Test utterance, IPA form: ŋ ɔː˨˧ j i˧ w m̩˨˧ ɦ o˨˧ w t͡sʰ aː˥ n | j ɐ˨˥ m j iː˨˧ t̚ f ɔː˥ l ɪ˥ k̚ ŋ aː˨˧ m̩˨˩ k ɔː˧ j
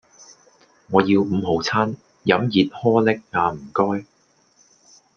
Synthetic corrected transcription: ŋ ɔː˨˧ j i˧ w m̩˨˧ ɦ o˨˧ w t͡sʰ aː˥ n | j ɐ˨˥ m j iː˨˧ t̚ h ɔː˥ l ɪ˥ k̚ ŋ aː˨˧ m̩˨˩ k ɔː˥ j